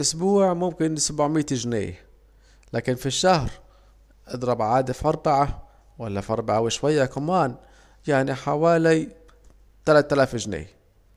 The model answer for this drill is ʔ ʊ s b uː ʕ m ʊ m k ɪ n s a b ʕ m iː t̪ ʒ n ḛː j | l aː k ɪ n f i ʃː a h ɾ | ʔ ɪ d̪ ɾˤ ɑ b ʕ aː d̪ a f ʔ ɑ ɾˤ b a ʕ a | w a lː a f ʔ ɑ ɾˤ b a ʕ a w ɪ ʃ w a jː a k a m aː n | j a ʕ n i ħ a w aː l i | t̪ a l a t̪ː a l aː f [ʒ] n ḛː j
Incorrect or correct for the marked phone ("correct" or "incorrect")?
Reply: correct